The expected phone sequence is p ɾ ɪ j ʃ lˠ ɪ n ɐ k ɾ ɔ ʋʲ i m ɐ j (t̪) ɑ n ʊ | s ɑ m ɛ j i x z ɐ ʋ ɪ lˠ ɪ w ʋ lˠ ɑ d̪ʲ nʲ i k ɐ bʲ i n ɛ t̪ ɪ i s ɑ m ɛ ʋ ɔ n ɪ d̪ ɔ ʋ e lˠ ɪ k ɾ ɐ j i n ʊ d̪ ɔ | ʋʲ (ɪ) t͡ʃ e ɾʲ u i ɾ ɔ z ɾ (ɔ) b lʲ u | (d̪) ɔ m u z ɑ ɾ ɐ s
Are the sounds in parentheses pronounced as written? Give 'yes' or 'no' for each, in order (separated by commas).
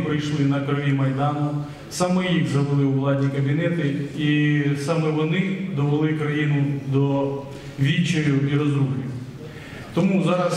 no, no, no, no